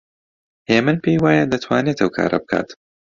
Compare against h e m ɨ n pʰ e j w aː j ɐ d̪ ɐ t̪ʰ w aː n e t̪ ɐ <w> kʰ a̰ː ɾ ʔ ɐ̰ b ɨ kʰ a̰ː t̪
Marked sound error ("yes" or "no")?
no